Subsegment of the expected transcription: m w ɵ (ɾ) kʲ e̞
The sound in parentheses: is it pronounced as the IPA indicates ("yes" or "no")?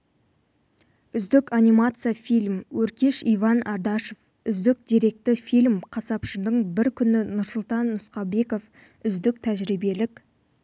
yes